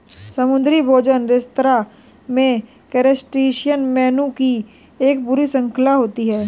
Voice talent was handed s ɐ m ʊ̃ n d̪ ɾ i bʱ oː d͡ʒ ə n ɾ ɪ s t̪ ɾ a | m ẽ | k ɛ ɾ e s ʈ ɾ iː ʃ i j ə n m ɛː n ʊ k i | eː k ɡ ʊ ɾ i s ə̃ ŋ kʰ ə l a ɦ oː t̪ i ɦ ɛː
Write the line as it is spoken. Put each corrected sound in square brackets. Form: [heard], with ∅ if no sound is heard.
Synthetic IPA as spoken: s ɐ m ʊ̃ n d̪ ɾ i bʱ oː d͡ʒ ə n ɾ ɪ s t̪ ɾ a | m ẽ | k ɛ ɾ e s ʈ ɾ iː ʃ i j ə n m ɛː n [u] k i | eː k [b] ʊ ɾ i s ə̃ ŋ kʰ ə l a ɦ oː t̪ i ɦ ɛː